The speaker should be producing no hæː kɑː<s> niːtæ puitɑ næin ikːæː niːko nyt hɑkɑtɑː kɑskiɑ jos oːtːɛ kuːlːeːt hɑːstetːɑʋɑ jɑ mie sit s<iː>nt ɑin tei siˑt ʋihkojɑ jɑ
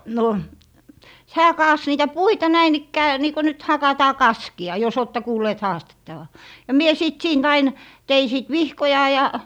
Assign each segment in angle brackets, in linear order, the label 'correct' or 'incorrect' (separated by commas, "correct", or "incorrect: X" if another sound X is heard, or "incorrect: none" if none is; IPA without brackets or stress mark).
correct, correct